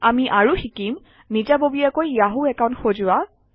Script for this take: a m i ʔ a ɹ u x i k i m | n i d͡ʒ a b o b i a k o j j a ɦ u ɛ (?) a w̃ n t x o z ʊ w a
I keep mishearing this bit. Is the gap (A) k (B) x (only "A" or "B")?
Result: A